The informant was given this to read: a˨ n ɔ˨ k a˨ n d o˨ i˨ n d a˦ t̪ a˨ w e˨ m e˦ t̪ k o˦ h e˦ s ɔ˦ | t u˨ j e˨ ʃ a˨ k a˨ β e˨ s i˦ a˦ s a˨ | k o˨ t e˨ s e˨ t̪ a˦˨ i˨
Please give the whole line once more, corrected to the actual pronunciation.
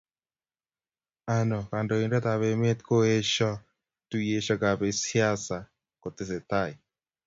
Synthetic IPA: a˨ n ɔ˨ k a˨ n d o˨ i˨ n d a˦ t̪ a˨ β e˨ m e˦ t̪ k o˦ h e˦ ʃ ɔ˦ | t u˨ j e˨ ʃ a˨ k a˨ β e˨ s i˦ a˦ s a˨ | k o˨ t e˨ s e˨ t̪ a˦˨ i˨